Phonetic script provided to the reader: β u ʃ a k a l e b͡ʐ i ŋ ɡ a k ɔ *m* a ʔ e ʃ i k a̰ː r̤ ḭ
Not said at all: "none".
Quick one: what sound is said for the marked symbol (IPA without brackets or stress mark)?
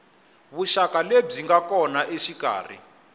n